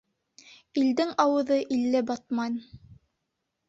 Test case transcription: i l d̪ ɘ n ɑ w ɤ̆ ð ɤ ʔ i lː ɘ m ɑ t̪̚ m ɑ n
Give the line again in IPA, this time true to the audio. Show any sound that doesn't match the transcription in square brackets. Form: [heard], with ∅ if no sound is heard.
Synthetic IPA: i l d̪ ɘ [ŋ] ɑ w ɤ̆ ð ɤ ʔ i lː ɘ [b] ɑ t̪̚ m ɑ n